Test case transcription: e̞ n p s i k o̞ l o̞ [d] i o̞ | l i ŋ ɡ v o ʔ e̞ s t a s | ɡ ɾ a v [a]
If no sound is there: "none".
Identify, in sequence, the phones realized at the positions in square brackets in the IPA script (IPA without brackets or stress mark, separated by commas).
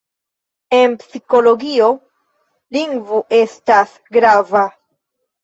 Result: ɡ, a